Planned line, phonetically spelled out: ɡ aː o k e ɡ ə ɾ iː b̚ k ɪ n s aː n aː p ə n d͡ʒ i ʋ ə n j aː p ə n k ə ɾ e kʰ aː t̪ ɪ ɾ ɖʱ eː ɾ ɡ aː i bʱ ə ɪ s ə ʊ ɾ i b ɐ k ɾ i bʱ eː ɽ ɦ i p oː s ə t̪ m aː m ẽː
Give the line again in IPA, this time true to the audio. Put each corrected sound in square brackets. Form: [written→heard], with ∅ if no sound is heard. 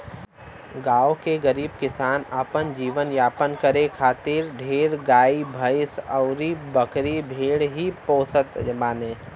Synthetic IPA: ɡ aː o k e ɡ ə ɾ iː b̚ k ɪ [n→∅] s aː n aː p ə n d͡ʒ [i→iː] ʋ ə n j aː p ə n k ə ɾ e kʰ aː t̪ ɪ ɾ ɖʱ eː ɾ ɡ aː i bʱ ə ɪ s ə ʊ ɾ i b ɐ k ɾ i bʱ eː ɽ ɦ i p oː s ə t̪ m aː [m→n] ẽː